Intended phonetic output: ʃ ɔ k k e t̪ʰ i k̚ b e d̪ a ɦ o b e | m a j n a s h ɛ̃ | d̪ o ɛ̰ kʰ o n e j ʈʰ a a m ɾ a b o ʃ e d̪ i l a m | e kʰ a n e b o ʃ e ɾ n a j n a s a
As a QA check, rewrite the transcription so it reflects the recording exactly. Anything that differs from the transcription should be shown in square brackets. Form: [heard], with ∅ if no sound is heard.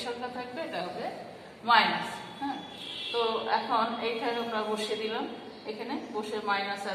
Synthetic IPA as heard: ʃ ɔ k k [a] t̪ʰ [a] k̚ b e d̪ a ɦ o b e | m a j n a s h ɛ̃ | [t̪] o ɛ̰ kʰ o n e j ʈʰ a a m ɾ a b o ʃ e d̪ i l a m | e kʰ a n e b o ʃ e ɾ [m] a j n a s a